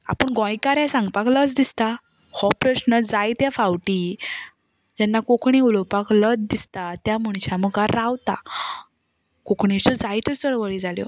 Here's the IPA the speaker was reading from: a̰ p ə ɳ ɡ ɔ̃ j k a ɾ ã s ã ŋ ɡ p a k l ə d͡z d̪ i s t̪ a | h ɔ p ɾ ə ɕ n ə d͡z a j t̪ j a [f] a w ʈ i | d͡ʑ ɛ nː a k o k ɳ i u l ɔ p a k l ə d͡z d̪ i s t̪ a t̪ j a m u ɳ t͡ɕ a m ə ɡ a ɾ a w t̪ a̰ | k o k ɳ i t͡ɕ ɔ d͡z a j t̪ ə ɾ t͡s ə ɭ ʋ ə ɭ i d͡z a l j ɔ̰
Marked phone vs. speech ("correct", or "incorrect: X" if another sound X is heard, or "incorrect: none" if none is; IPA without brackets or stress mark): correct